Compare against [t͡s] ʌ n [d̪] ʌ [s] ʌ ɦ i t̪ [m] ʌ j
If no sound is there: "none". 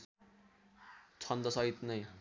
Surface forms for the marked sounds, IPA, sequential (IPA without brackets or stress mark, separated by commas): t͡sʰ, d̪, s, n